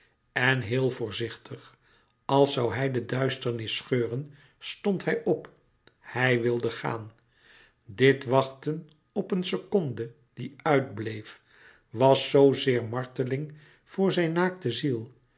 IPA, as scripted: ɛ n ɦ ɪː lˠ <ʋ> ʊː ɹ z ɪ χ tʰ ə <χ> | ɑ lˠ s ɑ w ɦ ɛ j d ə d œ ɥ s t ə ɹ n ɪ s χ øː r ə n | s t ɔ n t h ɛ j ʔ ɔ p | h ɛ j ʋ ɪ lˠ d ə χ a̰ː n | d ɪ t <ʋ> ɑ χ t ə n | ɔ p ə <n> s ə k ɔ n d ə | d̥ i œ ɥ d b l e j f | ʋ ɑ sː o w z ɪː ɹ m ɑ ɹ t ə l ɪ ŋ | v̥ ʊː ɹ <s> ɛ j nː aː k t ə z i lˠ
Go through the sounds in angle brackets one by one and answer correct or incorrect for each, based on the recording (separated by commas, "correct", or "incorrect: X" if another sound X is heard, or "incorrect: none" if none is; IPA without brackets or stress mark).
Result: incorrect: v, correct, correct, correct, incorrect: z